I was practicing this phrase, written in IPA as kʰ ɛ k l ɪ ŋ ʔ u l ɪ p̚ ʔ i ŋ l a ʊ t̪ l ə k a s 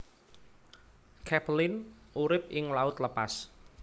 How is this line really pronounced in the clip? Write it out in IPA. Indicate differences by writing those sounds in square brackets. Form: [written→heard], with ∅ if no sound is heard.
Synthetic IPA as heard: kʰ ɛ [k→p] l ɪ [ŋ→n] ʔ u [l→ɾ] ɪ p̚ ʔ [i→ɪ] ŋ l a ʊ t̪ l ə [k→p] a s